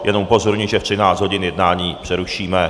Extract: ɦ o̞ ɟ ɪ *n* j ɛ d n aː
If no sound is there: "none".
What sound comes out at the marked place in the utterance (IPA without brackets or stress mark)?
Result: n